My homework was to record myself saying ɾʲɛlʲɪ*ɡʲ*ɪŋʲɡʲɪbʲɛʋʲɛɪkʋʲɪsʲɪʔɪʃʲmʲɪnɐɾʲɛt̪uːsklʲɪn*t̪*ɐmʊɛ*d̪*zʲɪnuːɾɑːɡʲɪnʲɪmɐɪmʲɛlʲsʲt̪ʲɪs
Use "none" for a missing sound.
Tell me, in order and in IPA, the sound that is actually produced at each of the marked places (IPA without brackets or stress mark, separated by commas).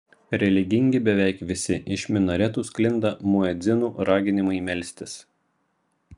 ɡʲ, d̪, d̪